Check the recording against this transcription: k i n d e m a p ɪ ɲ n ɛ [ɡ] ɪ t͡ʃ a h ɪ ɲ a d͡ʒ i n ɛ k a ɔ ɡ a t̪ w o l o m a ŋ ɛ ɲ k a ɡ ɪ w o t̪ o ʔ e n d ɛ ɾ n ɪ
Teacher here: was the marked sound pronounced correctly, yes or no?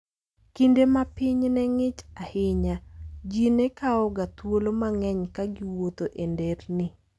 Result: no